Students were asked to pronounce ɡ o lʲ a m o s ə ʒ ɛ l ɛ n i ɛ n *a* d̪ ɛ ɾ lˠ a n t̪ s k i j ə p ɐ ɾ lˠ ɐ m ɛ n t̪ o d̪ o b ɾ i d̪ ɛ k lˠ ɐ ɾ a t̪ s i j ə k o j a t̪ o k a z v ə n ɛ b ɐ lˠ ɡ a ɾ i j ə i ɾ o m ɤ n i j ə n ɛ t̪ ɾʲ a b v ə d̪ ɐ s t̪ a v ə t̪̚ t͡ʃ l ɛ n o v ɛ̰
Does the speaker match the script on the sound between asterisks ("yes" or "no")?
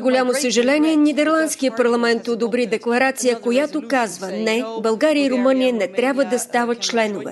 no